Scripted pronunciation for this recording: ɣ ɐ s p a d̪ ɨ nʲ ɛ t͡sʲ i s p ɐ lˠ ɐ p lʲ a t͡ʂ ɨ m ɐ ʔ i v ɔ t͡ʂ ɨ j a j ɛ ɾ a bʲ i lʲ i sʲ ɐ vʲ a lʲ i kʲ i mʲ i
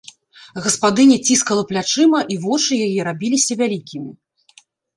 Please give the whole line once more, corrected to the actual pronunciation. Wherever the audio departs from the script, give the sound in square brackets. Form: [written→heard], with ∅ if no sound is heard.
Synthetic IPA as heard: ɣ ɐ s p a d̪ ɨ nʲ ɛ t͡sʲ i s [p→k] ɐ lˠ ɐ p lʲ a t͡ʂ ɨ m ɐ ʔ i v ɔ t͡ʂ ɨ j a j ɛ ɾ a bʲ i lʲ i sʲ ɐ vʲ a lʲ i kʲ i mʲ i